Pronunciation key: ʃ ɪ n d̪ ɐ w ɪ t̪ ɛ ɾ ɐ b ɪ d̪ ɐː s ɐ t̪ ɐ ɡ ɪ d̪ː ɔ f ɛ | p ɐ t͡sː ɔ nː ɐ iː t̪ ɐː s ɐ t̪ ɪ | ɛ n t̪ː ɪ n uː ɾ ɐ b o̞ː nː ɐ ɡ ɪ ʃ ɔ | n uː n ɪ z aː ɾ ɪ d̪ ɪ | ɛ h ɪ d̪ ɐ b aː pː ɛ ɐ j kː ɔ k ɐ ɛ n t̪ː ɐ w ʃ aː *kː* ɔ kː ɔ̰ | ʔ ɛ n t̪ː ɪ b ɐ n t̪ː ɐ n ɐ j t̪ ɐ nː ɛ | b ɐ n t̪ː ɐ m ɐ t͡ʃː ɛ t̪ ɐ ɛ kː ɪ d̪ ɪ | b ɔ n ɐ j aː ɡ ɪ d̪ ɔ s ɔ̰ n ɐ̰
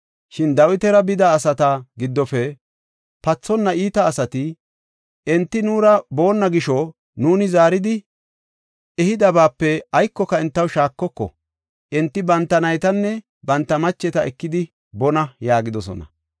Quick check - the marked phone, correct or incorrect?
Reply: correct